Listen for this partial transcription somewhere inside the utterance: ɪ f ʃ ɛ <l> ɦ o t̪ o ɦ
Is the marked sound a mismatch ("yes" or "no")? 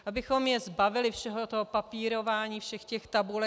yes